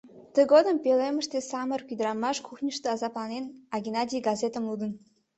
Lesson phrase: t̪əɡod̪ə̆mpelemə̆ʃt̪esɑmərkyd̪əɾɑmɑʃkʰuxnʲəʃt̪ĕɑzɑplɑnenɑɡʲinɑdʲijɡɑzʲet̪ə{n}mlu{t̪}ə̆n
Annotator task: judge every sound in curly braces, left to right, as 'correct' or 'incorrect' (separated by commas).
incorrect, incorrect